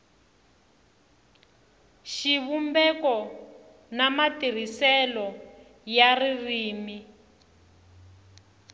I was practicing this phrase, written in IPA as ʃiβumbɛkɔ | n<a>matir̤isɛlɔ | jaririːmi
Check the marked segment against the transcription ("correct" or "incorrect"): correct